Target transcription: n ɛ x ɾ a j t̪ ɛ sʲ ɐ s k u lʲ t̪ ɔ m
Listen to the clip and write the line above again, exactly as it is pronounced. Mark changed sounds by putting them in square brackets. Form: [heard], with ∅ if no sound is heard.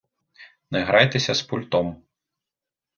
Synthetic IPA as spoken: n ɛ [ɣ] ɾ a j t̪ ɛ sʲ ɐ s [p] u lʲ t̪ ɔ m